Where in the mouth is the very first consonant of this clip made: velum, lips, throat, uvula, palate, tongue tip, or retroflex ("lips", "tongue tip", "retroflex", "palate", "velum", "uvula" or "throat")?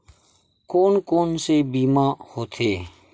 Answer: velum